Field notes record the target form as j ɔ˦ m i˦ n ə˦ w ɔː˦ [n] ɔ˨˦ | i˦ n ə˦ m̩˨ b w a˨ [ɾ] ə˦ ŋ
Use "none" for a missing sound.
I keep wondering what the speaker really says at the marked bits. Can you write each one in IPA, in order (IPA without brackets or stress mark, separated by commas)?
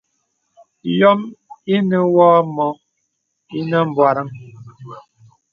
m, ɾ